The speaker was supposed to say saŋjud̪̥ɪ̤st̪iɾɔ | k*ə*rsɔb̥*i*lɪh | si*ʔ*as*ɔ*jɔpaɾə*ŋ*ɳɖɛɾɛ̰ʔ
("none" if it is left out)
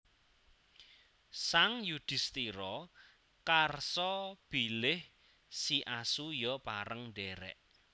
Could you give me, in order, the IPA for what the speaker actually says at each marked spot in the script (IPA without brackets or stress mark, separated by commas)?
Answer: a, i, ʔ, u, ŋ